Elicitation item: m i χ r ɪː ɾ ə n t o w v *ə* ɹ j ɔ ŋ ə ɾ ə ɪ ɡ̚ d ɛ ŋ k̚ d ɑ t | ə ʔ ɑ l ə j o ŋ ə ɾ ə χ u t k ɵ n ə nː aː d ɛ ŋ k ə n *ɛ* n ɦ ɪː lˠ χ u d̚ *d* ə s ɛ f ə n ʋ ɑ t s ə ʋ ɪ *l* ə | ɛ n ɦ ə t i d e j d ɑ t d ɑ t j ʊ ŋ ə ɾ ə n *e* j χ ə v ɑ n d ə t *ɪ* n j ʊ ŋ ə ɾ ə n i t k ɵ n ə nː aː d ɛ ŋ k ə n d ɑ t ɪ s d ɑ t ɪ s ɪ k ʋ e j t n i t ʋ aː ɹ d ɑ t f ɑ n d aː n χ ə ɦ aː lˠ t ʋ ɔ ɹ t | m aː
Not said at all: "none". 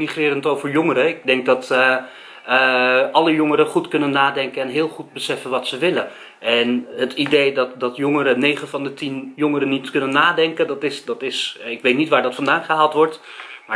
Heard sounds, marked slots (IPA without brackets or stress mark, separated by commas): ə, ɛ, b, l, e, i